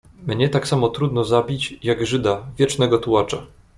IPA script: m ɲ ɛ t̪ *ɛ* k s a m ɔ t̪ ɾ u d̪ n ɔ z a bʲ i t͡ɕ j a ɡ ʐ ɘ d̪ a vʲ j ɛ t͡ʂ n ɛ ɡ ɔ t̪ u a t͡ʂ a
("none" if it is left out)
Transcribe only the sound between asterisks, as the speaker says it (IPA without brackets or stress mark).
a